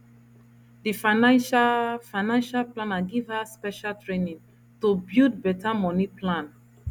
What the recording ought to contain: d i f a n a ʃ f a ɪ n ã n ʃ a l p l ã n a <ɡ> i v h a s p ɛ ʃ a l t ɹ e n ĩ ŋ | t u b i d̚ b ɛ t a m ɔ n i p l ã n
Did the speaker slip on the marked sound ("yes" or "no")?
no